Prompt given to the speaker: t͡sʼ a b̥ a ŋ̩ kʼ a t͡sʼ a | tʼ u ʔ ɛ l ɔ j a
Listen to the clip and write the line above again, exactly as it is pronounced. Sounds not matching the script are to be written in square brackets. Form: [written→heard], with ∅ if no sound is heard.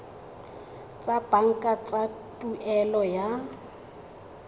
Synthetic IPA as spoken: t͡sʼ a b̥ a ŋ̩ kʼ a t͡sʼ a | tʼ u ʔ ɛ l ɔ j a